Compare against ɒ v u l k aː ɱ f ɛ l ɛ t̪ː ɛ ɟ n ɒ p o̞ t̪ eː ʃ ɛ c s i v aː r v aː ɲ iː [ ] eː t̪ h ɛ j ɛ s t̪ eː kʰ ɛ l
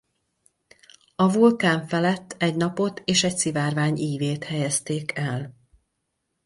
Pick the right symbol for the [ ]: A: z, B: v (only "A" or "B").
B